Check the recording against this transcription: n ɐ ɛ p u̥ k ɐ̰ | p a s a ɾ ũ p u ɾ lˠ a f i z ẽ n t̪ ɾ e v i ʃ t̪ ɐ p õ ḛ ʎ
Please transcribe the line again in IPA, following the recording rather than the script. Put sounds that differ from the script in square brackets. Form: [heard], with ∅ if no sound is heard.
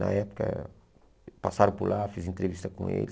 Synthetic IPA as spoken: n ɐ ɛ p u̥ k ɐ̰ | p a s a ɾ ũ p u ɾ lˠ a f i z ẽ n t̪ ɾ e v i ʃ t̪ ɐ [k] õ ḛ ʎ